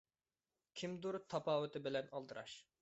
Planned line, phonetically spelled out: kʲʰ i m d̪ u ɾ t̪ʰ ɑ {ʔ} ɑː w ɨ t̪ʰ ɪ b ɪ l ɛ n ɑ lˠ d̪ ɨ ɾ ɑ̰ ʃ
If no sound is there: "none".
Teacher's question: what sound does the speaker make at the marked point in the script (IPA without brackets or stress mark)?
p